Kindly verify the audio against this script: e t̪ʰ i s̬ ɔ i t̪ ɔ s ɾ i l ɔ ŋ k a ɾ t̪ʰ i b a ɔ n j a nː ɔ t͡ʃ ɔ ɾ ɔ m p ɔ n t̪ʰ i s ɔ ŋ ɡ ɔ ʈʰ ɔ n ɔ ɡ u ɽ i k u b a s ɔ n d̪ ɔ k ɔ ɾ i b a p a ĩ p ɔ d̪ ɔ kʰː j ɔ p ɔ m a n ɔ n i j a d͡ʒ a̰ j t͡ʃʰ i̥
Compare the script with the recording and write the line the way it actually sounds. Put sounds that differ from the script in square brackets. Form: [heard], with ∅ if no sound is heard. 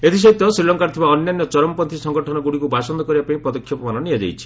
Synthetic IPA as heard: e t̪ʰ i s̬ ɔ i t̪ ɔ s ɾ i l ɔ ŋ k a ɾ t̪ʰ i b a ɔ n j a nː ɔ t͡ʃ ɔ ɾ ɔ m p ɔ n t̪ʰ i s ɔ ŋ ɡ ɔ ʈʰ ɔ n ɔ ɡ u ɽ i k u b a s ɔ n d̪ ɔ k ɔ ɾ i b a p a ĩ p ɔ d̪ ɔ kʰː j ɔ p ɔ m a n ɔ n i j a d͡ʒ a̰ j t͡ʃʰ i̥

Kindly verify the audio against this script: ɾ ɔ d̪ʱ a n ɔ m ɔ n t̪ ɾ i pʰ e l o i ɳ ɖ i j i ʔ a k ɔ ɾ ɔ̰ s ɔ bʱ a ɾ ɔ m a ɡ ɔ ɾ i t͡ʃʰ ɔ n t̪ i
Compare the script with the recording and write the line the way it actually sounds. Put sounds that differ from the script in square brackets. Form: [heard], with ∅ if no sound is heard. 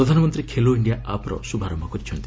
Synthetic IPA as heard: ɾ ɔ d̪ʱ a n ɔ m ɔ n t̪ ɾ i [kʰ] e l o i ɳ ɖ i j [a] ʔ a [p] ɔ ɾ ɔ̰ s [u] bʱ a ɾ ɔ m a [k] ɔ ɾ i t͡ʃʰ ɔ n t̪ i

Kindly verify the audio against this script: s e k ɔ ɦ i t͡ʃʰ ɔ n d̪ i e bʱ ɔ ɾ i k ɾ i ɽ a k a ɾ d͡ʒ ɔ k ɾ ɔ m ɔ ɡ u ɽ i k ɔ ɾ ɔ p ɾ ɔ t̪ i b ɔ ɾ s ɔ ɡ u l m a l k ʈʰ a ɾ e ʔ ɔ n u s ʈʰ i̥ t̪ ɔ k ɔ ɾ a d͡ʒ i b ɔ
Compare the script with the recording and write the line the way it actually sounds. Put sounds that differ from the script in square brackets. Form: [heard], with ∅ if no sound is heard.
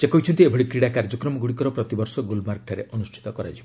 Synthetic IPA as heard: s e k ɔ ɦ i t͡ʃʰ ɔ n [t̪] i e bʱ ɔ [ɽ] i k ɾ i ɽ a k a ɾ d͡ʒ ɔ k ɾ ɔ m ɔ ɡ u ɽ i k ɔ ɾ ɔ p ɾ ɔ t̪ i b ɔ ɾ s ɔ ɡ u l m a [ɾ] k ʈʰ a ɾ e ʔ ɔ n u s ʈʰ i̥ t̪ ɔ k ɔ ɾ a d͡ʒ i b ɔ

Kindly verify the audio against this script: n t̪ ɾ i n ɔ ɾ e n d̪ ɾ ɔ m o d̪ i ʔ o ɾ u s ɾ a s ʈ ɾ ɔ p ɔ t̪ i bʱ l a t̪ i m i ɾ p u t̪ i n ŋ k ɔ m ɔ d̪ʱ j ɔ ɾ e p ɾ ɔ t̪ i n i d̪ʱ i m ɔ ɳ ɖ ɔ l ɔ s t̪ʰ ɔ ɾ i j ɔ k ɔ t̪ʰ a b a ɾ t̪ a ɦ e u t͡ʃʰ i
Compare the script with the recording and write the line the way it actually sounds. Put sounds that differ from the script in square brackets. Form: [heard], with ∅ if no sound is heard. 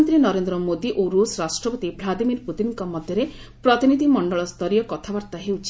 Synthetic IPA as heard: n t̪ ɾ i n ɔ ɾ e n d̪ ɾ ɔ m o d̪ i ʔ o ɾ u s ɾ a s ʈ ɾ ɔ p ɔ t̪ i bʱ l a [d̪] i m i ɾ p u t̪ i n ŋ k ɔ m ɔ d̪ʱ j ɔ ɾ e p ɾ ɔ t̪ i n i d̪ʱ i m ɔ ɳ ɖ ɔ [ɭ] ɔ s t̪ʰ ɔ ɾ i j ɔ k ɔ t̪ʰ a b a ɾ t̪ a ɦ e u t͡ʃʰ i

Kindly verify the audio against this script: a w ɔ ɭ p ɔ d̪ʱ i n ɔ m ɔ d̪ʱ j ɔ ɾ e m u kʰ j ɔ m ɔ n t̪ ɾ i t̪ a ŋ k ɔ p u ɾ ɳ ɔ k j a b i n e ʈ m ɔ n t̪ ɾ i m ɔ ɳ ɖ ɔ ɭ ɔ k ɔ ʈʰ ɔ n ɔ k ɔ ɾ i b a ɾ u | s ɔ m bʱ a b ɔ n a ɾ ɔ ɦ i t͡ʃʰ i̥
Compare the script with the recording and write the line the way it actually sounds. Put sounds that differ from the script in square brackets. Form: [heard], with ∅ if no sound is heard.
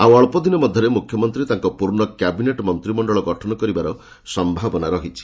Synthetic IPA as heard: a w ɔ ɭ p ɔ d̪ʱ i n ɔ m ɔ d̪ʱ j ɔ ɾ e m u kʰ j ɔ m ɔ n t̪ ɾ i t̪ a ŋ k ɔ p u ɾ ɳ ɔ k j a b i n e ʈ m ɔ n t̪ ɾ i m ɔ ɳ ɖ ɔ ɭ ɔ [ɡ] ɔ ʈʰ ɔ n ɔ k ɔ ɾ i b a ɾ [ɔ] | s ɔ m bʱ a b ɔ n a ɾ ɔ ɦ i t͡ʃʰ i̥

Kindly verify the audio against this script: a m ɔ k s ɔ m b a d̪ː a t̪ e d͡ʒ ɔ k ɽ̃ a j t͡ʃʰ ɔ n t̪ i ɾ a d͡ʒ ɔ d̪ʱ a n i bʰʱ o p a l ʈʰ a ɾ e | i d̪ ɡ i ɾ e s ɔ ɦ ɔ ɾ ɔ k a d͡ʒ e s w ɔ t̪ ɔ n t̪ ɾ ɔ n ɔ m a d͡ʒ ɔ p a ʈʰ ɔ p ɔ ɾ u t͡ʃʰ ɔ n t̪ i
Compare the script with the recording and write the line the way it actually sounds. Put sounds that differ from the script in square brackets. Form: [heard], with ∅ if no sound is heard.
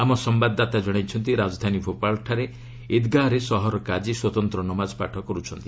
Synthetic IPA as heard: a m ɔ [∅] s ɔ m b a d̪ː a t̪ [a] d͡ʒ ɔ [∅] ɽ̃ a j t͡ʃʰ ɔ n t̪ i ɾ a d͡ʒ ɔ d̪ʱ a n i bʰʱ o p a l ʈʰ a ɾ e | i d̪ ɡ [a] ɾ e s ɔ ɦ ɔ ɾ ɔ k a d͡ʒ [i] s w ɔ t̪ ɔ n t̪ ɾ ɔ n ɔ m a d͡ʒ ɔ p a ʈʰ ɔ [k] ɔ ɾ u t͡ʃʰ ɔ n t̪ i

